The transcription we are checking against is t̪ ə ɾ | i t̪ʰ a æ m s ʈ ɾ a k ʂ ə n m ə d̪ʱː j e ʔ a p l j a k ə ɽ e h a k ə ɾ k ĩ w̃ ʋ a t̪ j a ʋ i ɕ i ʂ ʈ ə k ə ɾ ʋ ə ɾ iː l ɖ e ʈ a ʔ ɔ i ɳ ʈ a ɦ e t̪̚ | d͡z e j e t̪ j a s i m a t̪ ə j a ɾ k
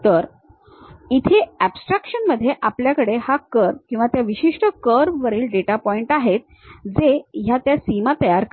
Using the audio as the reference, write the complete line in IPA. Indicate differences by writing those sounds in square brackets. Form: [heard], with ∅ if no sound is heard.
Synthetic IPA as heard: t̪ ə ɾ | i t̪ʰ [e] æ [b] s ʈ ɾ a k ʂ ə n m ə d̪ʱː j e ʔ a p l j a k ə ɽ e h a k ə ɾ k ĩ w̃ ʋ a t̪ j a ʋ i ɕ i ʂ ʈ ə k ə ɾ ʋ ə ɾ iː l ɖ e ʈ a [p] ɔ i ɳ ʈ a ɦ e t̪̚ | d͡z e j [a] t̪ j a s i m a t̪ ə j a ɾ k